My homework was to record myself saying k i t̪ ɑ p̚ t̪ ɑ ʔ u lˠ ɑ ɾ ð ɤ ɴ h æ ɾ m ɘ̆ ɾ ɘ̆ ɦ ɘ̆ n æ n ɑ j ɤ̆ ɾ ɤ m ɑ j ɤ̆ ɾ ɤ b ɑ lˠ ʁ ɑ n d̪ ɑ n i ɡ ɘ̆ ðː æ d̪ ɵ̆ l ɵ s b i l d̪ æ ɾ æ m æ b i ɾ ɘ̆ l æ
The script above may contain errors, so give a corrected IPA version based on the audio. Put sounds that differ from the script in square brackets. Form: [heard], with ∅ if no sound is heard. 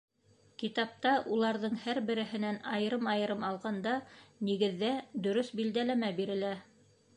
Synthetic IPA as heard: k i t̪ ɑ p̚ t̪ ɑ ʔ u lˠ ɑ ɾ ð ɤ ɴ h æ ɾ [b] ɘ̆ ɾ ɘ̆ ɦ ɘ̆ n æ n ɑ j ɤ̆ ɾ ɤ m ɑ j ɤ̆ ɾ ɤ [m] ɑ lˠ ʁ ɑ n d̪ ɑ n i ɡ ɘ̆ ðː æ d̪ ɵ̆ [ɾ] ɵ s b i l d̪ æ [l] æ m æ b i ɾ ɘ̆ l æ